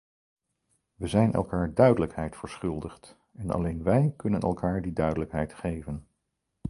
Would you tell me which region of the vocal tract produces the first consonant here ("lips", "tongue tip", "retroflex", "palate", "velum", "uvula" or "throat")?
lips